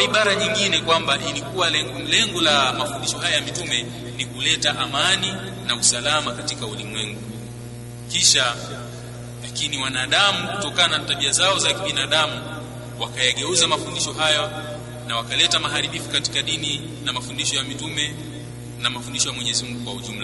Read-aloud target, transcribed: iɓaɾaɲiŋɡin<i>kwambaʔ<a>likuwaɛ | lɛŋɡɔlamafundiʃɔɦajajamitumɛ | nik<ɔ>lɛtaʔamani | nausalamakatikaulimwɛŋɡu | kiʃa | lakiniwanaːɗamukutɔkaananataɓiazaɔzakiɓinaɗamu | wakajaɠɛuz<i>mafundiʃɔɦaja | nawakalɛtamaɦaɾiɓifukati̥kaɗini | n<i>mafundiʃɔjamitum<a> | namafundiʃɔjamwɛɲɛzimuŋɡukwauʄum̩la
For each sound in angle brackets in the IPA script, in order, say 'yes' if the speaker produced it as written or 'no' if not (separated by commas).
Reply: no, no, no, no, no, no